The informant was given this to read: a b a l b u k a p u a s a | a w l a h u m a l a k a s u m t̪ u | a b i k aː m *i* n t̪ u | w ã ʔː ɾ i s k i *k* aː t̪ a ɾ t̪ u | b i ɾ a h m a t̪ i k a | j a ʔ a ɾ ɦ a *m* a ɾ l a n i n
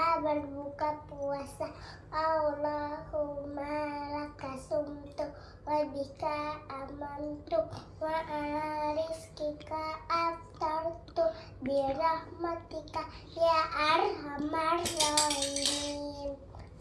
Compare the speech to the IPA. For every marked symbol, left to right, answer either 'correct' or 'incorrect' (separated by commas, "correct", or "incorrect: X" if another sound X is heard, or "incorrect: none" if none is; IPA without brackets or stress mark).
incorrect: a, correct, correct